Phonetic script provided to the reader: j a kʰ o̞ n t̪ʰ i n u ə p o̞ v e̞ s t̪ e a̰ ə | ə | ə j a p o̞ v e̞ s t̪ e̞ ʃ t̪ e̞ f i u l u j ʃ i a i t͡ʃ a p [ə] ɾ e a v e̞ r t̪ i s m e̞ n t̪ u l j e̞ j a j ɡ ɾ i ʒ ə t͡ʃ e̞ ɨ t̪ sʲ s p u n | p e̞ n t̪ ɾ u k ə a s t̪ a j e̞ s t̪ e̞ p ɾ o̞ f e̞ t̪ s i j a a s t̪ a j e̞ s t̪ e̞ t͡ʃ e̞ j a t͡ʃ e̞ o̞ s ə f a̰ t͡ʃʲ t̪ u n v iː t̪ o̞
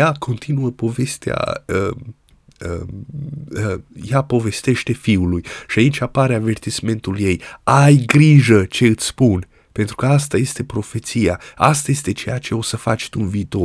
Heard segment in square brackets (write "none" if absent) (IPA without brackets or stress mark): a